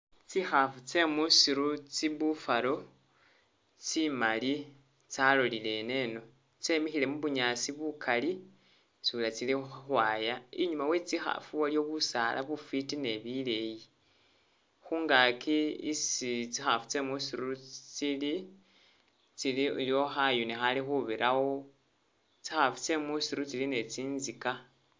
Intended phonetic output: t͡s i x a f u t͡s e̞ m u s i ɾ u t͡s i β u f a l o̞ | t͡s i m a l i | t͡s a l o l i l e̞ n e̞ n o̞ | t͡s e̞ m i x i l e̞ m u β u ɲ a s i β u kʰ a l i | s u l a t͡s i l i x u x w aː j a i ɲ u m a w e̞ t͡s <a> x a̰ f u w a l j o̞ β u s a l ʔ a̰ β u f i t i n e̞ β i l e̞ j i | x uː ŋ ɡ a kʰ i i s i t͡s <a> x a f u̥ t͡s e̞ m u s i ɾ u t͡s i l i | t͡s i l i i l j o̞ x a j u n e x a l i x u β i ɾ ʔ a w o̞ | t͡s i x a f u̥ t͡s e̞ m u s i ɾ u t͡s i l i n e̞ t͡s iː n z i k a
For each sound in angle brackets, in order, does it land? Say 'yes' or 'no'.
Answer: no, no

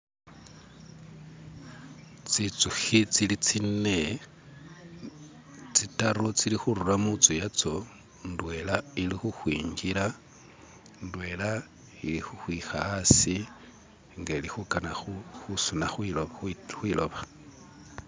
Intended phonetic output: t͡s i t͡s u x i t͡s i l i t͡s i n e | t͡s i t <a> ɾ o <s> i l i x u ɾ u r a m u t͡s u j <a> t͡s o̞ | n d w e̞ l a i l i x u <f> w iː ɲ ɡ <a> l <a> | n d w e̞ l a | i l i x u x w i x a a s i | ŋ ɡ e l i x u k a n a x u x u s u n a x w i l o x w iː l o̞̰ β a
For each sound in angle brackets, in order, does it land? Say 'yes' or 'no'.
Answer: yes, no, yes, no, no, yes

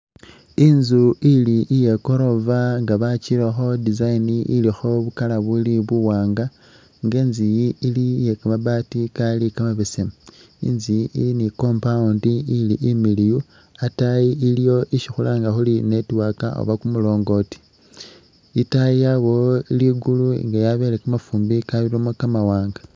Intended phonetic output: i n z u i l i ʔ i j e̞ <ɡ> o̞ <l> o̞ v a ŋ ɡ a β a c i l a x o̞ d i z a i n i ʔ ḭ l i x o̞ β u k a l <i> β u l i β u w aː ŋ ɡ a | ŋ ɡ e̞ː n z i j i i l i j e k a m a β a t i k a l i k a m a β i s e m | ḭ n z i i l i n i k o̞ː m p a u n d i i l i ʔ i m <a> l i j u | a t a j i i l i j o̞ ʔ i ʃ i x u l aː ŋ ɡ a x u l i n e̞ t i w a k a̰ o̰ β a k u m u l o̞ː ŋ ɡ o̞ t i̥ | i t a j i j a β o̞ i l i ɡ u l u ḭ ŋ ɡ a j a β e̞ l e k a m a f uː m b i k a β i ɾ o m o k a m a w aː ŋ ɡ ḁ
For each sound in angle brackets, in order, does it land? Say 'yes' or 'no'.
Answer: no, no, no, no

